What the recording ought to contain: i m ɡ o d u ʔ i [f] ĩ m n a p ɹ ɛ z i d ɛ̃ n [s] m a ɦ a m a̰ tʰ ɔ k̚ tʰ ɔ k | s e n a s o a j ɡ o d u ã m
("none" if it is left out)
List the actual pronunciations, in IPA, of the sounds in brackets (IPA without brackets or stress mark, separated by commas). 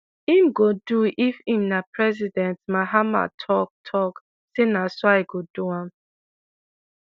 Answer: f, t